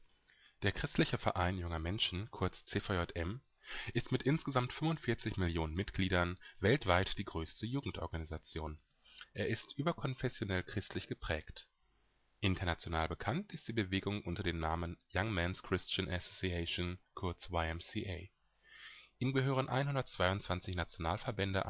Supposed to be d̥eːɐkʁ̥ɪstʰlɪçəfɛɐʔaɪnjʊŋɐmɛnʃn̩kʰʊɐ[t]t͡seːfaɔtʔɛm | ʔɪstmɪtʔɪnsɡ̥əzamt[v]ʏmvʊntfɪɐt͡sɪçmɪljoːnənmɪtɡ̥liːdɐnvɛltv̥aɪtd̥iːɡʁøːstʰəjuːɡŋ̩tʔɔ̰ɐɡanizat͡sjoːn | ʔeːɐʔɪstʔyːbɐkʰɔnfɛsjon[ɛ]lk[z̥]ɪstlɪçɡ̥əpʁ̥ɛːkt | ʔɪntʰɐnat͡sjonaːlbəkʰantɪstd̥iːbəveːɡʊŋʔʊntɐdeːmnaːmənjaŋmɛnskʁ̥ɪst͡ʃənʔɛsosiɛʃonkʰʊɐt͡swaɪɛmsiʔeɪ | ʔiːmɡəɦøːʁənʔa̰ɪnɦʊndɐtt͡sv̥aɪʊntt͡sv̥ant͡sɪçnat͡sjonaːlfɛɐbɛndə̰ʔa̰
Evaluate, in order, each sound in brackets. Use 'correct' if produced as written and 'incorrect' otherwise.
incorrect: t͡s, incorrect: f, correct, incorrect: ʁ̥

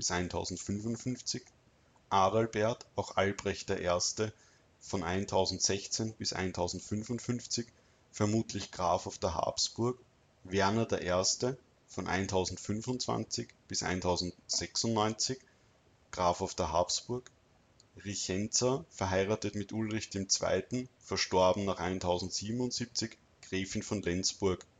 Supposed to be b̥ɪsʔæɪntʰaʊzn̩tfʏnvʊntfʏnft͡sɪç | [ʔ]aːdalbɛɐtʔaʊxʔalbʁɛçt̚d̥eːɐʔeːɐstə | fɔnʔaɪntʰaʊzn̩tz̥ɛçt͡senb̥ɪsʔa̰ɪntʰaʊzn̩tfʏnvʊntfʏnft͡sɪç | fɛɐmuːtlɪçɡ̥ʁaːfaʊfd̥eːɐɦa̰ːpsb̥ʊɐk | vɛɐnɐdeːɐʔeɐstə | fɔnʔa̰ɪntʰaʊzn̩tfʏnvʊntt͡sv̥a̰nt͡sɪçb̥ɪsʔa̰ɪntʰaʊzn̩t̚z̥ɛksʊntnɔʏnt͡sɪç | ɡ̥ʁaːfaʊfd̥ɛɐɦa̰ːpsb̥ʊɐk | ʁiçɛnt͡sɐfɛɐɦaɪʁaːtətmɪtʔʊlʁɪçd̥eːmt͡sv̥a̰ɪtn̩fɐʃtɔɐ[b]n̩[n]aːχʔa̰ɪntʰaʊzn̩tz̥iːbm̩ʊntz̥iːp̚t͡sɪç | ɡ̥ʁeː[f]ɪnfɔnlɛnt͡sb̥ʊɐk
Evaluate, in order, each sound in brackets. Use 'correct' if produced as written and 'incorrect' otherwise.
correct, correct, correct, correct

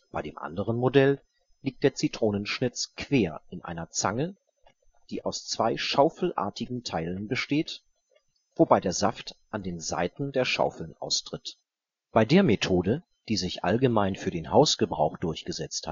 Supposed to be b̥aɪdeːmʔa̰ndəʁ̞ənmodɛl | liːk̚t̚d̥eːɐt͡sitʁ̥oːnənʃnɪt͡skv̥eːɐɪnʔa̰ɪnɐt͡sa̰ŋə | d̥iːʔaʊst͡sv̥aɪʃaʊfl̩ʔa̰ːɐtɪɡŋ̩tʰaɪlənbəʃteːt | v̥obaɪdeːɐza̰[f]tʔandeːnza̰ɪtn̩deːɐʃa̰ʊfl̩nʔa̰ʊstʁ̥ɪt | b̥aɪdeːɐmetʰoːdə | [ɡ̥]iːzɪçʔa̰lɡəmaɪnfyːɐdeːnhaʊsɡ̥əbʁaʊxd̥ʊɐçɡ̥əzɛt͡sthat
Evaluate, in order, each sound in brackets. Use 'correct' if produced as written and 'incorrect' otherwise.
correct, incorrect: d̥

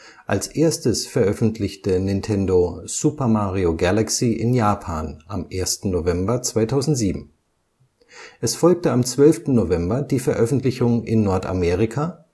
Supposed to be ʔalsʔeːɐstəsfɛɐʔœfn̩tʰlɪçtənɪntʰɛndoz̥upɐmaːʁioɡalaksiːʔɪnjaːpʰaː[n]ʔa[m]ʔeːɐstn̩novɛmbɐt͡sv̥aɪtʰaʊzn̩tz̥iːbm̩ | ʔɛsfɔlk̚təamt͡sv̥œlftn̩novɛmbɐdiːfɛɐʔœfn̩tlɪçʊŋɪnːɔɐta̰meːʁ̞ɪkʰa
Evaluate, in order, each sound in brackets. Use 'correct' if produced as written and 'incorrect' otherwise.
correct, correct

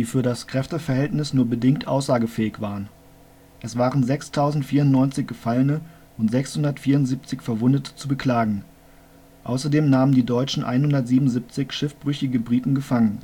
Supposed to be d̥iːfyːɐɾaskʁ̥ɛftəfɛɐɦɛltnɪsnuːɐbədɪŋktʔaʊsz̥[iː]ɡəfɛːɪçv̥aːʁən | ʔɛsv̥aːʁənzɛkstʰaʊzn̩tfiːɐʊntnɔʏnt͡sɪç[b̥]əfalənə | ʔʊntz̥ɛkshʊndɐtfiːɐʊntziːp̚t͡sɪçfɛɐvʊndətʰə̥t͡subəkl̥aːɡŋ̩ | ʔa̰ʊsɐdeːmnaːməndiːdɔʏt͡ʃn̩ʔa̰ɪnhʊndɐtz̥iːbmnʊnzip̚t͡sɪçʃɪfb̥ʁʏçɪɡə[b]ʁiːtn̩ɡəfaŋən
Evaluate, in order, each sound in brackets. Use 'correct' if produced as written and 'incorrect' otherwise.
incorrect: aː, incorrect: ɡ̥, correct

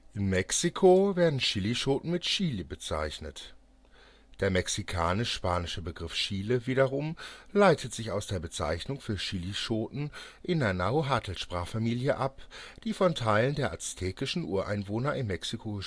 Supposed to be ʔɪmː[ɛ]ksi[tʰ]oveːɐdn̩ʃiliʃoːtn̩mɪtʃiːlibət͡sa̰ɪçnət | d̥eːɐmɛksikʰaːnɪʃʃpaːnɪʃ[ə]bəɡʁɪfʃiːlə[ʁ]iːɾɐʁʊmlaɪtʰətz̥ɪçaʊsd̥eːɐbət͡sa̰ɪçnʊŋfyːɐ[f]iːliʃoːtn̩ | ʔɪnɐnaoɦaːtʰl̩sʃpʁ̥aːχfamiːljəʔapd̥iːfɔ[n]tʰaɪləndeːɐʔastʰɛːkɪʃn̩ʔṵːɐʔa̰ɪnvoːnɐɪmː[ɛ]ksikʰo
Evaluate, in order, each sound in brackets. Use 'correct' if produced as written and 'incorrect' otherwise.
correct, incorrect: kʰ, correct, incorrect: v, incorrect: ʃ, correct, correct

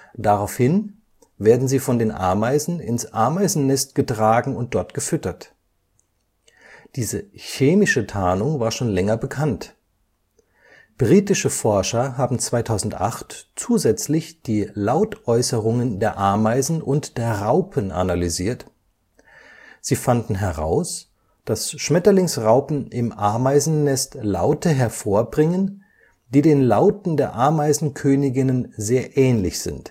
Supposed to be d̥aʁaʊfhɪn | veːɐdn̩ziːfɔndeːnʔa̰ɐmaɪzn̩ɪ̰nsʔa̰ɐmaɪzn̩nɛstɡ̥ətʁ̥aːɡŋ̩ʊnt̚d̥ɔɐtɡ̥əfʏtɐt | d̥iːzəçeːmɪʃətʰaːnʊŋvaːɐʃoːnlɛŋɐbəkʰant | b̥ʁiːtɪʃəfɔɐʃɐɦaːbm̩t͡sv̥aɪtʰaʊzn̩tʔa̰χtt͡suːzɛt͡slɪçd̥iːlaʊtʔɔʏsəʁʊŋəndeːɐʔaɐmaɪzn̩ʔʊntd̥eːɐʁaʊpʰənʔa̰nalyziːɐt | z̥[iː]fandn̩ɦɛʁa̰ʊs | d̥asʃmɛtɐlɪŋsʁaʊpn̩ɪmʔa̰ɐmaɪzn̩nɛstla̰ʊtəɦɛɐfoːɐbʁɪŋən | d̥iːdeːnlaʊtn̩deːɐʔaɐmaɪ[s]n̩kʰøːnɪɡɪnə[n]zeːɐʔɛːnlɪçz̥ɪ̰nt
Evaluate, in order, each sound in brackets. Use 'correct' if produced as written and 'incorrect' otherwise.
correct, incorrect: z, correct

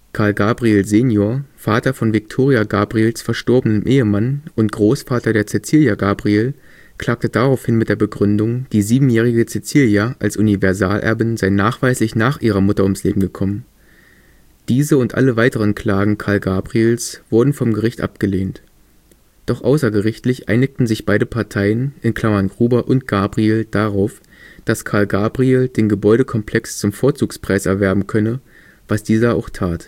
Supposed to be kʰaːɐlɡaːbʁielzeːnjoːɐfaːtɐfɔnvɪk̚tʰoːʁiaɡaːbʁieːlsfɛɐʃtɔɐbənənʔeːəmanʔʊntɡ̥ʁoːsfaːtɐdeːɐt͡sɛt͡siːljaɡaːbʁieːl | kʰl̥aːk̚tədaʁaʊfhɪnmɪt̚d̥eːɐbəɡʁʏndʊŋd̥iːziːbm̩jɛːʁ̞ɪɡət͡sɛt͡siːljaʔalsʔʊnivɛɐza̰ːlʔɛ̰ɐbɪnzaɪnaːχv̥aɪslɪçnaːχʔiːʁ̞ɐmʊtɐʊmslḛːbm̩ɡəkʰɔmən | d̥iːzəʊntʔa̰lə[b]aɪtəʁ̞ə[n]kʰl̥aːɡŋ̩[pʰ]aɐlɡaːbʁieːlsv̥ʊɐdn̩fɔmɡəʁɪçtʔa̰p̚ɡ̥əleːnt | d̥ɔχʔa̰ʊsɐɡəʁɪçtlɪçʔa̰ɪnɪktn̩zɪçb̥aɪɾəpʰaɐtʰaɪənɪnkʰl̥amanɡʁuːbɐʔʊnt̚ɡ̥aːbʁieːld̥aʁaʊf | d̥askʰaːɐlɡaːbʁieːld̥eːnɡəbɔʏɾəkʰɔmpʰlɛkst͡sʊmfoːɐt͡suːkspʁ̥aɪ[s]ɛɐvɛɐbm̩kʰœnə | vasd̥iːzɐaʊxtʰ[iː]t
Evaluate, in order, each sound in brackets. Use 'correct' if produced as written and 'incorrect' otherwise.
incorrect: v, correct, incorrect: kʰ, correct, incorrect: aː

